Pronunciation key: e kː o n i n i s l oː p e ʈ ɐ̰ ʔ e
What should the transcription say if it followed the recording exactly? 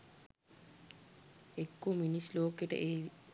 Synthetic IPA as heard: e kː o m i n i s l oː k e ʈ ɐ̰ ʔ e